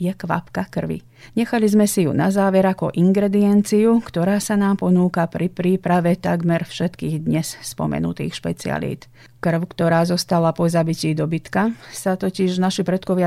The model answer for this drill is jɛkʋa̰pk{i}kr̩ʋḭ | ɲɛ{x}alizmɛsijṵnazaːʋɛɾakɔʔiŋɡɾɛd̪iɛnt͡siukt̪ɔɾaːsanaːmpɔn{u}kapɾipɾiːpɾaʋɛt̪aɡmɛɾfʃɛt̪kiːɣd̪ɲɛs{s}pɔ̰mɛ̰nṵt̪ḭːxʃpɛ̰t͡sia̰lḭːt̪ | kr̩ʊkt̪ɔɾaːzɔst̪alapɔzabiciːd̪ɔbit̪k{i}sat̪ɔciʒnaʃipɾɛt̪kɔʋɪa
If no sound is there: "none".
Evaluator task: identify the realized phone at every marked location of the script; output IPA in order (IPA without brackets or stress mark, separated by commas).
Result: a, x, uː, s, a